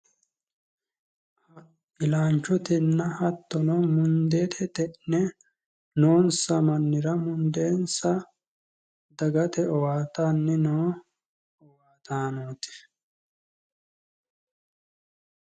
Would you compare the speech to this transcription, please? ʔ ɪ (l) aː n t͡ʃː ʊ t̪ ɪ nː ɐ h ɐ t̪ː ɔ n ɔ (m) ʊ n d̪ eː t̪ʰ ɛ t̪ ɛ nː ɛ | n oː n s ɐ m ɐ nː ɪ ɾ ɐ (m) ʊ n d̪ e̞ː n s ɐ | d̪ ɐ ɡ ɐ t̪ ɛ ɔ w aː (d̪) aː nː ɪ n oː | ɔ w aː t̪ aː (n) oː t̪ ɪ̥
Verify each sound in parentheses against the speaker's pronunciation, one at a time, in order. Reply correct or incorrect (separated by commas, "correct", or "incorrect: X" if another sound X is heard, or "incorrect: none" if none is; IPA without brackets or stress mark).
correct, correct, correct, incorrect: t̪, correct